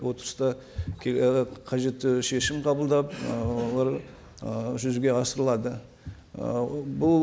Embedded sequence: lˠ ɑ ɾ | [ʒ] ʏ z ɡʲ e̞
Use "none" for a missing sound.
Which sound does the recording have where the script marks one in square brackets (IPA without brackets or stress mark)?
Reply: ʒ